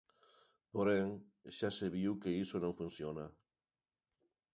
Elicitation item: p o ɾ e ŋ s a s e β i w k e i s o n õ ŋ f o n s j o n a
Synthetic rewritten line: p o ɾ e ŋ ʃ a s e β i w k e i s o n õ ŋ f u n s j o n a